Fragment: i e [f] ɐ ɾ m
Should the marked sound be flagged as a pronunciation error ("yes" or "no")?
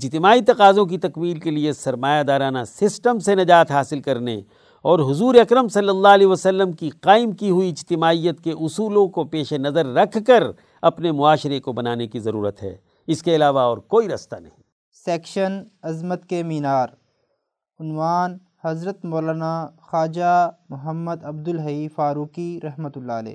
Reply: yes